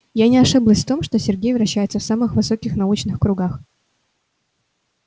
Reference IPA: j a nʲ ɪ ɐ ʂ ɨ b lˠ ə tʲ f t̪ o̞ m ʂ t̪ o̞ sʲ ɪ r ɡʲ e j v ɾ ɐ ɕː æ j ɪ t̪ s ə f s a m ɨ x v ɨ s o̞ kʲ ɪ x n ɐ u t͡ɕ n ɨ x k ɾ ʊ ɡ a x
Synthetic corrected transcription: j a nʲ ɪ ɐ ʂ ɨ b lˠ ə sʲ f t̪ o̞ m ʂ t̪ o̞ sʲ ɪ r ɡʲ e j v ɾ ɐ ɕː æ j ɪ t̪ s ə f s a m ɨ x v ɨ s o̞ kʲ ɪ x n ɐ u t͡ɕ n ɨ x k ɾ ʊ ɡ a x